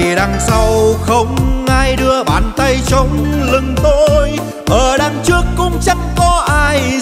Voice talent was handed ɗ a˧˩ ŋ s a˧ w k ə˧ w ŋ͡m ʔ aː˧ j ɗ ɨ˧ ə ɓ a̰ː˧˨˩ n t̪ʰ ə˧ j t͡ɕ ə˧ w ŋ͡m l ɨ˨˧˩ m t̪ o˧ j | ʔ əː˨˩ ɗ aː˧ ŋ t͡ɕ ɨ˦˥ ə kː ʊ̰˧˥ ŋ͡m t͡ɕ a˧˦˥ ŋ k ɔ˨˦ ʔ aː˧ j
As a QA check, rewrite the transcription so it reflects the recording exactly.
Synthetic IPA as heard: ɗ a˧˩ ŋ s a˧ w x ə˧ w ŋ͡m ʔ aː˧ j ɗ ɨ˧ ə ɓ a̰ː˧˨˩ n t̪ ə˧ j t͡ɕ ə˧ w ŋ͡m l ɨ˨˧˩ ŋ t̪ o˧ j | ʔ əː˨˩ ɗ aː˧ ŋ t͡ɕ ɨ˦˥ ə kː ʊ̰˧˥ ŋ͡m t͡ɕ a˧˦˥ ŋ k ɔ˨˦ ʔ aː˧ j